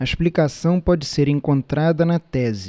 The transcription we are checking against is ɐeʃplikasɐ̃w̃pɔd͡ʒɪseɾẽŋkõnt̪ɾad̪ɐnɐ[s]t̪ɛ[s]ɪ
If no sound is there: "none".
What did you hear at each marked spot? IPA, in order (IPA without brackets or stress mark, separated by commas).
none, z